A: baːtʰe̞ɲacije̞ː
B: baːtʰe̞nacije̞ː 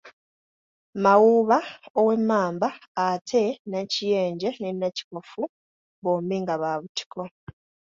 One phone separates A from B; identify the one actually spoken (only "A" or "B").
B